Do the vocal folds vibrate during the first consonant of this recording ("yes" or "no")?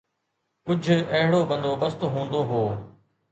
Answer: no